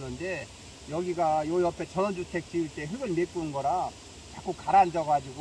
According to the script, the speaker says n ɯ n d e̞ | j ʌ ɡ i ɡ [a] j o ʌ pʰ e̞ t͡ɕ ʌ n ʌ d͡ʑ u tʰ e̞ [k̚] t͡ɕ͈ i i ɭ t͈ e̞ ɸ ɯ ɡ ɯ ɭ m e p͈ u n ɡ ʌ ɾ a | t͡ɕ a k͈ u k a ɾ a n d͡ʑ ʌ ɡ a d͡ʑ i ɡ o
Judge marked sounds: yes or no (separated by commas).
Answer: yes, yes